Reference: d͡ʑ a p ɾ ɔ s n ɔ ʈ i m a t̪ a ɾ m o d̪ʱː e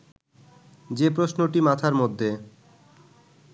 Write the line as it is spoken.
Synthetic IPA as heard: d͡ʑ e p ɾ o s n o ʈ i m a t̪ʰ a ɾ m o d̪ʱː e